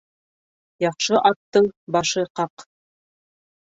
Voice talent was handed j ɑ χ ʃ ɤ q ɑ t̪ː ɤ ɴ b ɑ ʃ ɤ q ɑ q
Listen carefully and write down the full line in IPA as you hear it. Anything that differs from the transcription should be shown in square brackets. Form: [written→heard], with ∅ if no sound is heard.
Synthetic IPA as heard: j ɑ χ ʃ ɤ [q→ʔ] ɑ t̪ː ɤ ɴ b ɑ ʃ ɤ q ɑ q